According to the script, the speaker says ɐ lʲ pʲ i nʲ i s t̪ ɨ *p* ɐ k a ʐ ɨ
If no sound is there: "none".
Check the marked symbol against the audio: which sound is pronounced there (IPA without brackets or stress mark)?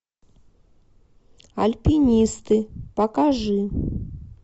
p